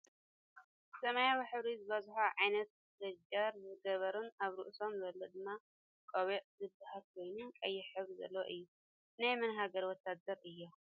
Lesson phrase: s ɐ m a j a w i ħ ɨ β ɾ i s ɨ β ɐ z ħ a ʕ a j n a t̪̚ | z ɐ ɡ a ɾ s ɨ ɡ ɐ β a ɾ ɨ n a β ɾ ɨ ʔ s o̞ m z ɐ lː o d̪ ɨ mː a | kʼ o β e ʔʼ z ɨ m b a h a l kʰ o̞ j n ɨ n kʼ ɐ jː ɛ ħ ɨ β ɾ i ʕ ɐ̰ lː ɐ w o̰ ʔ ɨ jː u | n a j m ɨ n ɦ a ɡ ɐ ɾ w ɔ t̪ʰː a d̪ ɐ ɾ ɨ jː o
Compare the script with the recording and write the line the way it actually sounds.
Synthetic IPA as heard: s ɐ m a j a w i ħ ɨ β ɾ i z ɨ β ɐ z ħ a ʕ a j n ɐ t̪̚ | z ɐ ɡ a ɾ z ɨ ɡ ɐ β ɐ ɾ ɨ n a β ɾ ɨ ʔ s o̞ m z ɐ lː o d̪ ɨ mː a | kʼ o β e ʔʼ z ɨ b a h a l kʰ o̞ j n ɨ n kʼ ɐ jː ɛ ħ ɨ β ɾ i z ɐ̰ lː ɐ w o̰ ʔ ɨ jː u | n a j m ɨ n ɦ a ɡ ɐ ɾ w ɔ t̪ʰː a d̪ ɐ ɾ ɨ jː o